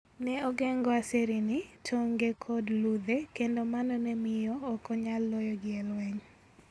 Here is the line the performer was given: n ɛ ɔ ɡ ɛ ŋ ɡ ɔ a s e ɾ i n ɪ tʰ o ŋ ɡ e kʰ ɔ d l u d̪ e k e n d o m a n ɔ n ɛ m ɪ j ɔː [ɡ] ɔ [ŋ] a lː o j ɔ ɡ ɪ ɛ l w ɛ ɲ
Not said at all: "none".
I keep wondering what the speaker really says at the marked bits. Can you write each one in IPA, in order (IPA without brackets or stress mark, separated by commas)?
k, ɲ